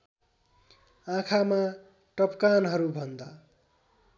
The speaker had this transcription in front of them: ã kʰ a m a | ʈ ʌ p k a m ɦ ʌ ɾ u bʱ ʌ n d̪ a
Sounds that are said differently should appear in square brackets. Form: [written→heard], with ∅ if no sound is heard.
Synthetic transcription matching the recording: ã kʰ a m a | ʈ ʌ p k a [m→n] ɦ ʌ ɾ u bʱ ʌ n d̪ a